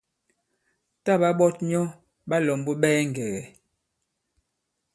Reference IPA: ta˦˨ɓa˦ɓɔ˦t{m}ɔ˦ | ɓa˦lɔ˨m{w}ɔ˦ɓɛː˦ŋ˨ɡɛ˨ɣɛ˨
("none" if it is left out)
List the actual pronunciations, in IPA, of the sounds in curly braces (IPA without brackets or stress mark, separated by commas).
ɲ, b